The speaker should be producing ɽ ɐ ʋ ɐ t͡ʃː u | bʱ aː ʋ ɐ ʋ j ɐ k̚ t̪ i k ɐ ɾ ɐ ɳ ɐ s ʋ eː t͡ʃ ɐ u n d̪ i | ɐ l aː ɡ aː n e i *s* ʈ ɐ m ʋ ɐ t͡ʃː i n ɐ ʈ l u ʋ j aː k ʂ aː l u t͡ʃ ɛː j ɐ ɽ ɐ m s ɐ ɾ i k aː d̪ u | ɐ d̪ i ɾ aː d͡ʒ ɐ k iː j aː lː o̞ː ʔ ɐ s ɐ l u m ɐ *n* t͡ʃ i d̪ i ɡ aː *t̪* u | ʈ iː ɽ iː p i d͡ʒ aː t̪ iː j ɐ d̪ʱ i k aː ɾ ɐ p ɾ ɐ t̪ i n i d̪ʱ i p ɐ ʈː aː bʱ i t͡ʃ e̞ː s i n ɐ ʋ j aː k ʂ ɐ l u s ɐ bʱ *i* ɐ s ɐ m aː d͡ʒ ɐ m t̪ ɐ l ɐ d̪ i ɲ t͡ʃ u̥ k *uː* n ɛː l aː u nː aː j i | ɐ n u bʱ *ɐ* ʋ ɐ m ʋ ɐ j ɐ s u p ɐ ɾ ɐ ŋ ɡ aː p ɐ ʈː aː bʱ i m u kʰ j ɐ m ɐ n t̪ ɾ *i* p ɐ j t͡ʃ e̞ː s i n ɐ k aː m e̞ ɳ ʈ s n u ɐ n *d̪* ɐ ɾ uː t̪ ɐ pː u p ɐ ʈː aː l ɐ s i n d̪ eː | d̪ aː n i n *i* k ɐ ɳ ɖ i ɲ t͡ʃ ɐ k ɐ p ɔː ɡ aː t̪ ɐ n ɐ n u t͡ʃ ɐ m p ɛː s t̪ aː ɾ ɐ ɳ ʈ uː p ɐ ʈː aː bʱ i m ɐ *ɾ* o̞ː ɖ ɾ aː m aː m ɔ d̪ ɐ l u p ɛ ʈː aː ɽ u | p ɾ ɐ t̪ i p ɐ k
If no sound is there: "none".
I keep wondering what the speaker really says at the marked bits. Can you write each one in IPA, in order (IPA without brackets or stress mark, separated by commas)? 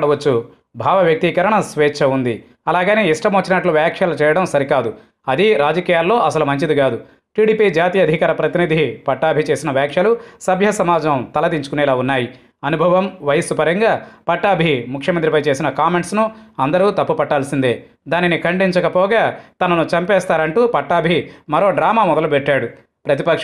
ʂ, ɲ, d̪, j, u, ɐ, i, d̪, i, ɾ